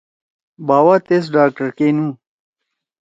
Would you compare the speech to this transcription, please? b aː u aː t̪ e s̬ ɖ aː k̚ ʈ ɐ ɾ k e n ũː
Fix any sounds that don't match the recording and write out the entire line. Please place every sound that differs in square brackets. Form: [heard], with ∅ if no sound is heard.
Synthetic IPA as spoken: b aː [w] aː t̪ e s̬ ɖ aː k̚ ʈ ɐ ɾ k e n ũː